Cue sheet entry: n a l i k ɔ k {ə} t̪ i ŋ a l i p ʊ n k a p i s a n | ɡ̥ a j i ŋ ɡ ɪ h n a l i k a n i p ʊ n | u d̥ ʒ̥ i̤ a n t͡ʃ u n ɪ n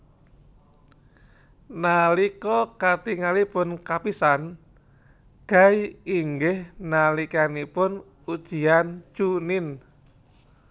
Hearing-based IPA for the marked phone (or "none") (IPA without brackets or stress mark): a